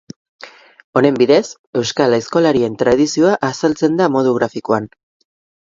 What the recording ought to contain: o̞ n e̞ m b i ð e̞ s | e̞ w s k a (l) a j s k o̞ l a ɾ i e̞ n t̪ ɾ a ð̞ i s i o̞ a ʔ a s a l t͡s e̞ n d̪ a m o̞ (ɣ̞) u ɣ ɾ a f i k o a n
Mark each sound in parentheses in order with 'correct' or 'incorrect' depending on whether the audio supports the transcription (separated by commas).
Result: correct, incorrect